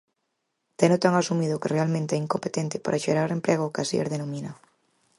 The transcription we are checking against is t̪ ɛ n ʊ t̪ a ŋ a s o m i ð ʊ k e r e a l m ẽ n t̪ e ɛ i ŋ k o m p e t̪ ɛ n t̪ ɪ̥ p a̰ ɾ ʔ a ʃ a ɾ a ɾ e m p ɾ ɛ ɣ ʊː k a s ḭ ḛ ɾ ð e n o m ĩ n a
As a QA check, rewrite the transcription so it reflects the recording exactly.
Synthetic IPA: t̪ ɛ n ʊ t̪ a ŋ a s u m i ð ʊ k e r e a l m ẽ n t̪ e ɛ i ŋ k o m p e t̪ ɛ n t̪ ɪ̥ p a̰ ɾ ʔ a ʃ e ɾ a ɾ e m p ɾ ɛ ɣ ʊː k a s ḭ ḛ ɾ ð e n o m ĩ n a